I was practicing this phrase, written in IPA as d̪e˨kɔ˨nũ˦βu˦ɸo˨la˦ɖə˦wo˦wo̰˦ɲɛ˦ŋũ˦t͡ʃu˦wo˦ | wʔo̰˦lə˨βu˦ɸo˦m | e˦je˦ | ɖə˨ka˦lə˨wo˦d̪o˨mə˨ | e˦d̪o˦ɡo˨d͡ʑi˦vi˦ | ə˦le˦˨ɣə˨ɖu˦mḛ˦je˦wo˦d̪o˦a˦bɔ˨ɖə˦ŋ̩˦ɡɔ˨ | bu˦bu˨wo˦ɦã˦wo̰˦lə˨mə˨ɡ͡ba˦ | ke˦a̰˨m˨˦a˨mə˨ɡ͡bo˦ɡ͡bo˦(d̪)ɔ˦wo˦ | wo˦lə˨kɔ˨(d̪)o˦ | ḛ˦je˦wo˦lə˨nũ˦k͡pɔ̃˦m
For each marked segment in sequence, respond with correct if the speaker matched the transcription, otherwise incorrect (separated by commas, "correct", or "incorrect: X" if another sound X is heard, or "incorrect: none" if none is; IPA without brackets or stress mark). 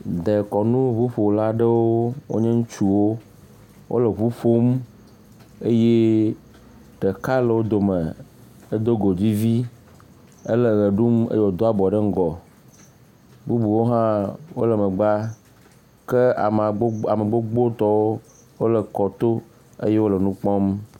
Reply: incorrect: t̪, incorrect: t̪